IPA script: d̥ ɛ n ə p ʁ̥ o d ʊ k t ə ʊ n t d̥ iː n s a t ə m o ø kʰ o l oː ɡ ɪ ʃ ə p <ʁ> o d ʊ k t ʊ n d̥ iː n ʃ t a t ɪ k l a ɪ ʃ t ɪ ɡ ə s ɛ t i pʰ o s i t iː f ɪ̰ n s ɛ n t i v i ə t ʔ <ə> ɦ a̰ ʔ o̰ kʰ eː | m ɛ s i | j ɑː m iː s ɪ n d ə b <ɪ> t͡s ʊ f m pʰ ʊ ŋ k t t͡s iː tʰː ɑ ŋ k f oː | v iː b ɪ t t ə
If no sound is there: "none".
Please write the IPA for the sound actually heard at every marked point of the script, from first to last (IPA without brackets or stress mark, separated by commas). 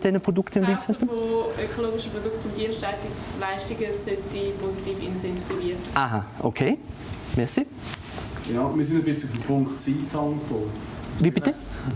ʁ, a, ɪ